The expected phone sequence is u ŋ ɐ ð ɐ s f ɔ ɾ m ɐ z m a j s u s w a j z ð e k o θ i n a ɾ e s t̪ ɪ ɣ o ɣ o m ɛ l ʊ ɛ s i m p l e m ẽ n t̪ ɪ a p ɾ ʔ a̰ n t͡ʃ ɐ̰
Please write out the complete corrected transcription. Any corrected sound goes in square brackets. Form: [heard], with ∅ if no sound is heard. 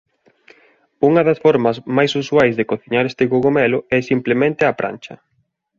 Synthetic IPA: u ŋ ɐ ð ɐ s f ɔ ɾ m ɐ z m a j s u s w a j z ð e k o θ i [ɲ] a ɾ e s t̪ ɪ ɣ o ɣ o m ɛ l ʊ ɛ s i m p l e m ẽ n t̪ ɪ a p ɾ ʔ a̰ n t͡ʃ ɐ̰

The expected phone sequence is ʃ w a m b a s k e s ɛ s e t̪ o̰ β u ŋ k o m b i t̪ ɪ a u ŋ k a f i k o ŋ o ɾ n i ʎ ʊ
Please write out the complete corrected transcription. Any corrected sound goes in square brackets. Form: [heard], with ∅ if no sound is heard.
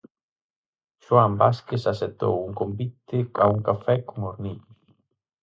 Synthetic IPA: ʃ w a m b a s k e s [a] s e t̪ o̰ [w] u ŋ k o m b i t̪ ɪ a u ŋ k a f [ɛ] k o ŋ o ɾ n i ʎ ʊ

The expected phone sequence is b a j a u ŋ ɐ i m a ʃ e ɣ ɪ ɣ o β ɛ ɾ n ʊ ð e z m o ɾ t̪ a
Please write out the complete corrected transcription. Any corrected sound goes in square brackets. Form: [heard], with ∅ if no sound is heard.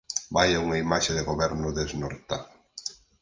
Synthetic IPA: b a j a u ŋ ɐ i m a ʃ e [ð] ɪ ɣ o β ɛ ɾ n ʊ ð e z [n] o ɾ t̪ a

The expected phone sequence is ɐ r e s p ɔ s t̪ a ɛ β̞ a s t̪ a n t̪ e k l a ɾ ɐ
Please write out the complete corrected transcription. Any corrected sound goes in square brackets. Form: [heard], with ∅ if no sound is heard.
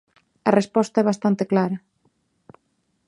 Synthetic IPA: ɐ r e s p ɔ s t̪ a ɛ β̞ a s t̪ a n t̪ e k l a ɾ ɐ

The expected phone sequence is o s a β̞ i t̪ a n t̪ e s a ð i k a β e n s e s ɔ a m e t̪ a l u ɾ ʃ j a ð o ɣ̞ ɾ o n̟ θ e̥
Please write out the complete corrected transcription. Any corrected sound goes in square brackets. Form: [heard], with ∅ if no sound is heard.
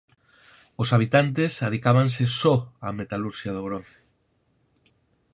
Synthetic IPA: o s a β̞ i t̪ a n t̪ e s a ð i k a β [a] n s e s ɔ a m e t̪ a l u ɾ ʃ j a ð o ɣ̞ ɾ o n̟ θ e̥

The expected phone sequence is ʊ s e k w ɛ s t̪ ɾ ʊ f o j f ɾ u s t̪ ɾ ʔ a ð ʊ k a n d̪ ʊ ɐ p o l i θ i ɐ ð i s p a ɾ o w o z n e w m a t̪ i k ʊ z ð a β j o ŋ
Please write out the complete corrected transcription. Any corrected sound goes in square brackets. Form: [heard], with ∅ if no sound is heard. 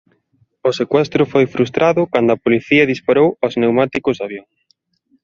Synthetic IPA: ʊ s e k w ɛ s t̪ ɾ ʊ f o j f ɾ u s t̪ ɾ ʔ a ð ʊ k a n d̪ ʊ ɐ p o l i θ i ɐ ð i s p a ɾ o w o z n e w m a t̪ i k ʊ z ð a β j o ŋ

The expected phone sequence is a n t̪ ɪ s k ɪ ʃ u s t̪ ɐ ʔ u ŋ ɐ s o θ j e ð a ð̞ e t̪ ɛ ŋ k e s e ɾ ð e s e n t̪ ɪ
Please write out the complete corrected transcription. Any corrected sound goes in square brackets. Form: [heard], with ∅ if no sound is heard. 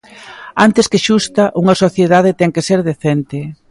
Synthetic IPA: a n t̪ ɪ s k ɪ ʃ u s t̪ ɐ ʔ u ŋ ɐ s o θ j e ð a ð̞ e t̪ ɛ ŋ k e s e ɾ ð e [θ] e n t̪ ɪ

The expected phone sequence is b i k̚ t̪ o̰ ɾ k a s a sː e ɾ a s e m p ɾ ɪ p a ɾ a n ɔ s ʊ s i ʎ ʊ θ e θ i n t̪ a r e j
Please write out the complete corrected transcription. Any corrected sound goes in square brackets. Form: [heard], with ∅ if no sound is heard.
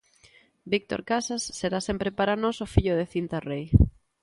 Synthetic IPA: b i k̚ t̪ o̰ ɾ k a s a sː e ɾ a s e m p ɾ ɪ p a ɾ a n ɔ s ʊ [f] i ʎ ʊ [ð] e θ i n t̪ a r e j

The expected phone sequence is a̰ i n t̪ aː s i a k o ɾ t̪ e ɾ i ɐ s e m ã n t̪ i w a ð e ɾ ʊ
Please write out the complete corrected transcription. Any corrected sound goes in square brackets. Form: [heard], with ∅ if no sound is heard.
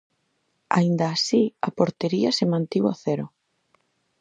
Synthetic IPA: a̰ i n [d̪] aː s i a [p] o ɾ t̪ e ɾ i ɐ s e m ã n t̪ i w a [θ] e ɾ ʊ

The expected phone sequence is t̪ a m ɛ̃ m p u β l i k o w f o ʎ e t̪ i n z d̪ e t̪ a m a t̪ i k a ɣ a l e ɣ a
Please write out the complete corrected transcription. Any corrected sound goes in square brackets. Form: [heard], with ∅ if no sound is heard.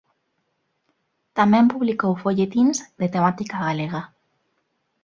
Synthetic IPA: t̪ a m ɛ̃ m p u β l i k o w f o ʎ e t̪ i n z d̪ e t̪ [e] m a t̪ i k a ɣ a l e ɣ a

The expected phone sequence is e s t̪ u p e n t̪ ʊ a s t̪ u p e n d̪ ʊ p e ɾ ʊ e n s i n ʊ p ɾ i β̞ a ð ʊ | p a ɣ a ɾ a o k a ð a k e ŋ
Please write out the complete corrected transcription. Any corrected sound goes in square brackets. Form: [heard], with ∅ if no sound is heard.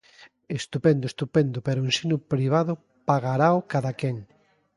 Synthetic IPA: e s t̪ u p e n [d̪] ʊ [e] s t̪ u p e n d̪ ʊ p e ɾ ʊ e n s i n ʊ p ɾ i β̞ a ð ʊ | p a ɣ a ɾ a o k a ð a k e ŋ

